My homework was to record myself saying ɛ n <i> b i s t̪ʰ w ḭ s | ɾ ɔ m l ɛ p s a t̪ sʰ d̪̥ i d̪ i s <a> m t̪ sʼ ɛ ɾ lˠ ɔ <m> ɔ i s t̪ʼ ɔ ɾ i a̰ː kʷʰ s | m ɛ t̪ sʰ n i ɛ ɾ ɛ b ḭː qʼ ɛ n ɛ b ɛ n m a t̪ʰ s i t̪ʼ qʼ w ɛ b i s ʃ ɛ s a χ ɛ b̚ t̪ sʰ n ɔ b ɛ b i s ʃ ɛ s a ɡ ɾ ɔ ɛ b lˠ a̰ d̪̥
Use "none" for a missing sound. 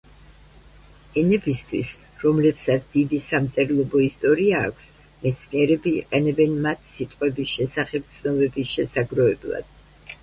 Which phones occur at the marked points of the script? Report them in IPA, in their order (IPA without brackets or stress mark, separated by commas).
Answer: ɛ, a, b